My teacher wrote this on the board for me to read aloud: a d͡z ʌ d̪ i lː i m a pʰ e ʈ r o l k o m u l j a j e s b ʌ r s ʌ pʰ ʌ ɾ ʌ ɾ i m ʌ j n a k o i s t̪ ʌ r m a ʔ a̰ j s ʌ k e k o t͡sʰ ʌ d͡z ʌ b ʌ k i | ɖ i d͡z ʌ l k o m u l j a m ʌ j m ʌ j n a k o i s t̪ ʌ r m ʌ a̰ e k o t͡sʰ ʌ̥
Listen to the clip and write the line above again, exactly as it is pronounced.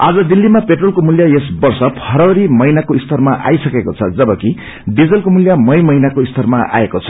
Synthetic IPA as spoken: a d͡z ʌ d̪ i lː i m a p e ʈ r o l k o m u l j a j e s b ʌ r s ʌ pʰ ʌ ɾ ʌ ɾ i m ʌ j n a k o i s t̪ ʌ r m a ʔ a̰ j s ʌ k e k o t͡sʰ ʌ d͡z ʌ b ʌ k i | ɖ i d͡z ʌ l k o m u l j a m ʌ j m ʌ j n a k o i s t̪ ʌ r m a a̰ e k o t͡sʰ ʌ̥